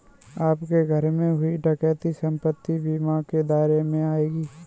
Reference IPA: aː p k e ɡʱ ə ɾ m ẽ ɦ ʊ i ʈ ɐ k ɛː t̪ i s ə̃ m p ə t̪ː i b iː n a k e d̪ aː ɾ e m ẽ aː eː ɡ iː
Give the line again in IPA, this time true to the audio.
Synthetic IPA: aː p k e ɡʱ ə ɾ m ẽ ɦ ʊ i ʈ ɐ k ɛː t̪ i s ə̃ m p ə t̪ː i b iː m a k e d̪ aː ɾ e m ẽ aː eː ɡ iː